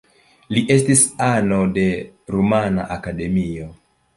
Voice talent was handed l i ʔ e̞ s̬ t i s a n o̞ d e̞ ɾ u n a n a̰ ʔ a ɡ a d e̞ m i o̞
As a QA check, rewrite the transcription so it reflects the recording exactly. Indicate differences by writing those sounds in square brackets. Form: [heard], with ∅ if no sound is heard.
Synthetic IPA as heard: l i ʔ e̞ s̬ t i s a n o̞ d e̞ ɾ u [m] a n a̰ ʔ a [k] a d e̞ m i o̞